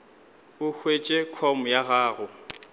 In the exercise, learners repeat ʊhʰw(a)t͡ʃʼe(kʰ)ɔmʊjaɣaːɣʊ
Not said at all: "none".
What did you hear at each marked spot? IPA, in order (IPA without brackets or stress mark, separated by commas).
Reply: e, kʰ